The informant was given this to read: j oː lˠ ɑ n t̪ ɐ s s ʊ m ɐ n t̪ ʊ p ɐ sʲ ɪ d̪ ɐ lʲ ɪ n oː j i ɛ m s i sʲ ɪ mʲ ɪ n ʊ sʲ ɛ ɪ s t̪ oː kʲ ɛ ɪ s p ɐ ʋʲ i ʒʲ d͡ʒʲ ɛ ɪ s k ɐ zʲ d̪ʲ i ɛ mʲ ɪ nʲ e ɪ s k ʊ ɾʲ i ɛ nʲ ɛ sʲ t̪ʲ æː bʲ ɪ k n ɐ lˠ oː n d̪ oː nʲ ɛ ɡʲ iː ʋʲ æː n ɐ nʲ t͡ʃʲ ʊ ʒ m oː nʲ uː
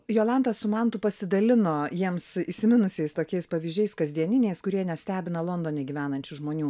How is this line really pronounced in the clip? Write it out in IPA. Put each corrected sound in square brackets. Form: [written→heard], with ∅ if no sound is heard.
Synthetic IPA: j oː lˠ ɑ n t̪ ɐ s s ʊ m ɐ n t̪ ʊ p ɐ sʲ ɪ d̪ ɐ lʲ ɪ n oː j i ɛ m s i sʲ ɪ mʲ ɪ n ʊ sʲ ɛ ɪ s t̪ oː kʲ ɛ ɪ s p ɐ ʋʲ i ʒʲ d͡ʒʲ ɛ ɪ s k ɐ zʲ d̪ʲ i ɛ [mʲ→nʲ] ɪ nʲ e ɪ s k ʊ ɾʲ i ɛ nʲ ɛ sʲ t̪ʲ æː bʲ ɪ [k→∅] n ɐ lˠ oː n d̪ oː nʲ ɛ ɡʲ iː ʋʲ æː n ɐ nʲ t͡ʃʲ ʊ ʒ m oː nʲ uː